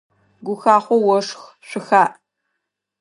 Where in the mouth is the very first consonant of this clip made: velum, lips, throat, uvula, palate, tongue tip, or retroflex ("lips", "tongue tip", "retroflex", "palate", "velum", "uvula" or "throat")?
velum